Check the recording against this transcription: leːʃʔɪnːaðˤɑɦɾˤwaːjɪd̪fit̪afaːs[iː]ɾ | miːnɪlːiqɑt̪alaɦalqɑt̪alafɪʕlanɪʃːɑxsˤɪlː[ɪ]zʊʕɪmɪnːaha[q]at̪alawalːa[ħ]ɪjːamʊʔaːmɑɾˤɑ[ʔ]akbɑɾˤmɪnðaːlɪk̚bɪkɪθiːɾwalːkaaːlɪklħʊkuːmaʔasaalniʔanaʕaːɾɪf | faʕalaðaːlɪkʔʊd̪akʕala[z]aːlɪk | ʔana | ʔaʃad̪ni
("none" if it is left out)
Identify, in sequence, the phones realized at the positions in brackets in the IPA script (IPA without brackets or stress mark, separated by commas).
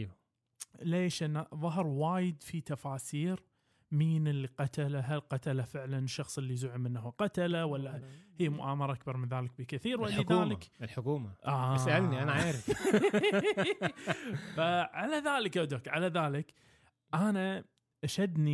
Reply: iː, i, q, h, ʔ, ð